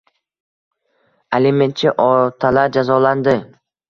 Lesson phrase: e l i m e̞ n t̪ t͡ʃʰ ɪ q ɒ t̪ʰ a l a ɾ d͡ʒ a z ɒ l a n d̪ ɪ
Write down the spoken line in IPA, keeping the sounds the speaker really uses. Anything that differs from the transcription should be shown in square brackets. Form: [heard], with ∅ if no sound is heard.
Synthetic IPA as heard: e l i m e̞ n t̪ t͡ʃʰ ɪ [ʔ] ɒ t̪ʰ a l a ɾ d͡ʒ a z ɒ l a n d̪ ɪ